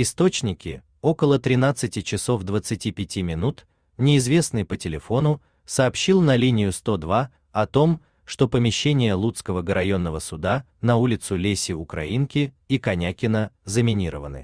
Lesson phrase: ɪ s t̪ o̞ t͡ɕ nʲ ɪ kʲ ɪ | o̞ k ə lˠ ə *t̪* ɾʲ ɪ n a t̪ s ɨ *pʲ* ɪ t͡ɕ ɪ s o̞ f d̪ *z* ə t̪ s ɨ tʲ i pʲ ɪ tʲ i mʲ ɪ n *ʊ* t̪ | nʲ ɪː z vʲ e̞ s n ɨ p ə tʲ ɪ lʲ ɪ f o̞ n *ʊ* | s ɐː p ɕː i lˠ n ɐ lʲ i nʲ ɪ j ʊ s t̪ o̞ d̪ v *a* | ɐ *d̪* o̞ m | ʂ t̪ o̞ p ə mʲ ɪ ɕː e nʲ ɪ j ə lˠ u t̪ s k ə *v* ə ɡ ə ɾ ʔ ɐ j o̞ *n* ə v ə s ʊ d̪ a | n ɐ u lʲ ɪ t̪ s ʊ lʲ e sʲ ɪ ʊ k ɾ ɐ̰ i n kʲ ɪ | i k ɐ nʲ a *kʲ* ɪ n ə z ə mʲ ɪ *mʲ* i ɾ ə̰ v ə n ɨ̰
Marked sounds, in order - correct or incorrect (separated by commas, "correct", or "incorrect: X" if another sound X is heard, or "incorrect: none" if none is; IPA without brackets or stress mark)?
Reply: correct, incorrect: tʲ, incorrect: v, incorrect: u, correct, correct, incorrect: t̪, correct, incorrect: nː, correct, incorrect: nʲ